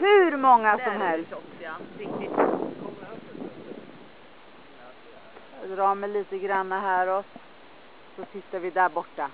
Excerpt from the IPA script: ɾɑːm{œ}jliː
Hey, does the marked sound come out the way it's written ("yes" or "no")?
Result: no